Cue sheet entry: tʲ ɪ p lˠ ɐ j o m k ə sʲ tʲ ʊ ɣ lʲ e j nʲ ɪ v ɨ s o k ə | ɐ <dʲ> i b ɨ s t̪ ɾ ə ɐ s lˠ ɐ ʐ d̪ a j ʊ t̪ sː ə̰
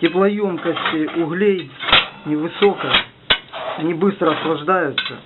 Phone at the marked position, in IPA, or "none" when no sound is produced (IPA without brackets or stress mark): nʲ